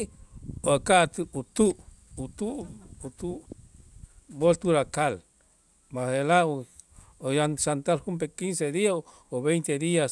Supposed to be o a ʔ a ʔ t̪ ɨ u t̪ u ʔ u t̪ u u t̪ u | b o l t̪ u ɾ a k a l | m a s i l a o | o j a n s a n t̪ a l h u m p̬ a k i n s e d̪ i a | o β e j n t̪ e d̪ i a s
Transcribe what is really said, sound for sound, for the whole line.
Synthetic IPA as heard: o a k a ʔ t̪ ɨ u t̪ u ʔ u t̪ u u t̪ u | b o l t̪ u ɾ a k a l | m a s e l a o | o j a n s a n t̪ a l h u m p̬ e k i n s e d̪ i a | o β e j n t̪ e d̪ i a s